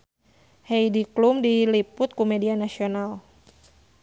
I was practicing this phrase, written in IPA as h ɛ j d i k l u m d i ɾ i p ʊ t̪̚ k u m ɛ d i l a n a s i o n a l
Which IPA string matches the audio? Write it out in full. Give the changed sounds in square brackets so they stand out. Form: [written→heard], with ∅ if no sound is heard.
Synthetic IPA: h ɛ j d i k l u m d i [ɾ→l] i p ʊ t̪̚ k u m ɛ d i [l→∅] a n a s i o n a l

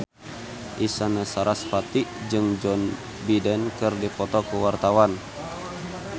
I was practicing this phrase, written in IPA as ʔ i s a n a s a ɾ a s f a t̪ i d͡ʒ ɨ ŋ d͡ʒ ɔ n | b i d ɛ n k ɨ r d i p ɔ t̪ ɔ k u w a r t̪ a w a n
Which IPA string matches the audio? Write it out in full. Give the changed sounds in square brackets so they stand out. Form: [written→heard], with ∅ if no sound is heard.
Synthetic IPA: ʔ i s a n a s a ɾ a s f a t̪ i d͡ʒ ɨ ŋ d͡ʒ ɔ n | b i d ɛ n k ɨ r d i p ɔ t̪ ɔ k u w a r t̪ a w a n

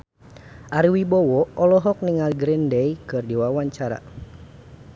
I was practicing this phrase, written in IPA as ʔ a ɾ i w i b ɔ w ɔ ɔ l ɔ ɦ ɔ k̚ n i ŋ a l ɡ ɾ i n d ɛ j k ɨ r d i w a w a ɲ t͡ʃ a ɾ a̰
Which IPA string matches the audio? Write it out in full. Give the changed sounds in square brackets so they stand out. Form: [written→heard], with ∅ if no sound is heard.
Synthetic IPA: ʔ a ɾ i w i b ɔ w ɔ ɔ l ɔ ɦ ɔ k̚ n i ŋ a l ɡ ɾ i n d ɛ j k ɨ r d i w a w a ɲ t͡ʃ a ɾ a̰

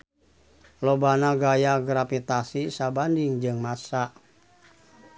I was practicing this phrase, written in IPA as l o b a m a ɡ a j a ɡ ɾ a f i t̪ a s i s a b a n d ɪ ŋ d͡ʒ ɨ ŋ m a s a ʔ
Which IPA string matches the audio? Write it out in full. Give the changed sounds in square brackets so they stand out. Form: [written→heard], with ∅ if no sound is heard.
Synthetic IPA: l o b a [m→n] a ɡ a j a ɡ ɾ a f i t̪ a s i s a b a n d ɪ ŋ d͡ʒ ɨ ŋ m a s a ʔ

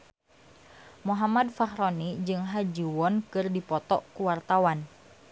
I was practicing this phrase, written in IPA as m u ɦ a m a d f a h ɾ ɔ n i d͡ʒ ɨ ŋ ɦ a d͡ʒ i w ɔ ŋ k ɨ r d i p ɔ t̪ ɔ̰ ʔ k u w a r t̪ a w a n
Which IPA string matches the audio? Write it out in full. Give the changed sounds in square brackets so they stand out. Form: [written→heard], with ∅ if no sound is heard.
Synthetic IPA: m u ɦ a m a d f a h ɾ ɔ n i d͡ʒ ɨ ŋ ɦ a d͡ʒ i w ɔ [ŋ→n] k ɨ r d i p ɔ t̪ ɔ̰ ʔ k u w a r t̪ a w a n

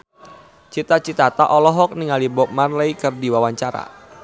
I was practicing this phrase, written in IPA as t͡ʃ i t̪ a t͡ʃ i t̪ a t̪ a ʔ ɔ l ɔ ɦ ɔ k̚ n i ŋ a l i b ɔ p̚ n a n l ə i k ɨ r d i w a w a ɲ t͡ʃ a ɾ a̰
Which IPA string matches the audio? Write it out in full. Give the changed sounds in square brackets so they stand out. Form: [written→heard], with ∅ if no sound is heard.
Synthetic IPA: t͡ʃ i t̪ a t͡ʃ i t̪ a t̪ a ʔ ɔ l ɔ ɦ ɔ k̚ n i ŋ a l i b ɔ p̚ [n→m] a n l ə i k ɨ r d i w a w a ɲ t͡ʃ a ɾ a̰

